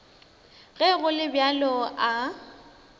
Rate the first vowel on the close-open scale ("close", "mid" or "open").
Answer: mid